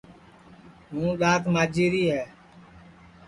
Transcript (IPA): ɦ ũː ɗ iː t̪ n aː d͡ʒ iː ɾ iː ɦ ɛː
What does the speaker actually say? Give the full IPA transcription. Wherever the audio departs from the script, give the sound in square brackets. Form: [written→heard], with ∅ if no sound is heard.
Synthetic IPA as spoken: ɦ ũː ɗ [iː→aː] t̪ [n→m] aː d͡ʒ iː ɾ iː ɦ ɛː